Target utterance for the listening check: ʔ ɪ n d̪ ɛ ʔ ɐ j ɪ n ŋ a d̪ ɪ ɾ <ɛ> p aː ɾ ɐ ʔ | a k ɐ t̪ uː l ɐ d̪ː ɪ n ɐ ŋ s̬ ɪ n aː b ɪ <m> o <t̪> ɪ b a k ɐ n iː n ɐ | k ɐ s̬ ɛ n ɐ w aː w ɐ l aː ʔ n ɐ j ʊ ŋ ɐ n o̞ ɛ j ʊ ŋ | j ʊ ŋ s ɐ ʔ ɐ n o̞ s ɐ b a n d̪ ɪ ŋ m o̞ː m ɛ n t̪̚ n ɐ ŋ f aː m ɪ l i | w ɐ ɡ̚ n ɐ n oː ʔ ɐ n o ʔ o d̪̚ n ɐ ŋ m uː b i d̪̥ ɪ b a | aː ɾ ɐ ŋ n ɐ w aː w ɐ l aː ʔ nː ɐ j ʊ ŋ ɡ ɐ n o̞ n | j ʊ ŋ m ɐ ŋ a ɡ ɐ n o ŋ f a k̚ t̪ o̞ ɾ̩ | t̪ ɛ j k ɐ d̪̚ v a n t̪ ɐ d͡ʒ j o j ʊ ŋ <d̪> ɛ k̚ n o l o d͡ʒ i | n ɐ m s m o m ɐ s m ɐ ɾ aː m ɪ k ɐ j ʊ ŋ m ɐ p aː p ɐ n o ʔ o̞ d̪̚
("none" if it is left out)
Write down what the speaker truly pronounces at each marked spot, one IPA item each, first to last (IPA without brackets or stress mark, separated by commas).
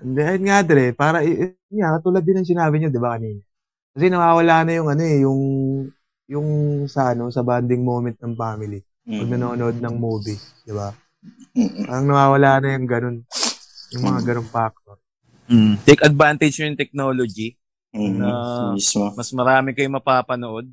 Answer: ɛ, ɲ, d̪, t̪